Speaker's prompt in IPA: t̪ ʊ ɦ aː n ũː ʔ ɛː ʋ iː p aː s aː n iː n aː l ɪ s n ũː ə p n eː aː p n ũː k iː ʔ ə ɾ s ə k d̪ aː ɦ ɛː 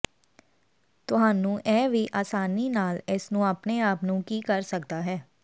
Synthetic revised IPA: t̪ ʊ ɦ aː n ũː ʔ ɛː ʋ iː ʔ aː s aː n iː n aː l ɪ s n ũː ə p n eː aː p n ũː k iː k ə ɾ s ə k d̪ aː ɦ ɛː